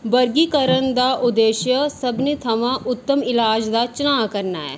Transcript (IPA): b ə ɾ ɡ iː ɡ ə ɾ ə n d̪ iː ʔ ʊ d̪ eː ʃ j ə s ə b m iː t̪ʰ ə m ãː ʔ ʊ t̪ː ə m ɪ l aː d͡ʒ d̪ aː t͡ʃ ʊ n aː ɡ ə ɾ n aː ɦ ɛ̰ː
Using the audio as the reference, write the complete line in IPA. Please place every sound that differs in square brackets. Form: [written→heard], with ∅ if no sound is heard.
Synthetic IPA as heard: b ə ɾ ɡ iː [ɡ→k] ə ɾ ə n d̪ [iː→aː] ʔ ʊ d̪ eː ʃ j ə s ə b [m→n] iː t̪ʰ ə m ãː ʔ ʊ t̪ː ə m ɪ l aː d͡ʒ d̪ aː t͡ʃ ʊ n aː [ɡ→k] ə ɾ n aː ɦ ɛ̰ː